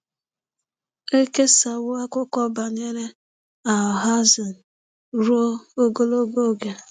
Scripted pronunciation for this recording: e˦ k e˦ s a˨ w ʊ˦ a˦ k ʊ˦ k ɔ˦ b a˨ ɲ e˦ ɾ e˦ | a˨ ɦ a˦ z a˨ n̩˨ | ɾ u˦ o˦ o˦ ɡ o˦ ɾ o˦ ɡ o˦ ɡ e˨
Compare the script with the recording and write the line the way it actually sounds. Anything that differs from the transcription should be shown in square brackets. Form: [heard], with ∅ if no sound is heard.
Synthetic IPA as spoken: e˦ k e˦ s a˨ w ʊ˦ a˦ k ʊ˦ k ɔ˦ b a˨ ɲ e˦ ɾ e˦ | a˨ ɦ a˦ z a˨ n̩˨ | ɾ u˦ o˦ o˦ ɡ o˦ [l] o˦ ɡ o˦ ɡ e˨